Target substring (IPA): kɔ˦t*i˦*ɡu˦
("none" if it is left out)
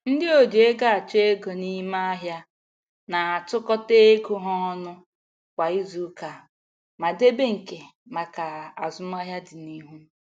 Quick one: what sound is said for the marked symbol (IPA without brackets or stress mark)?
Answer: e˦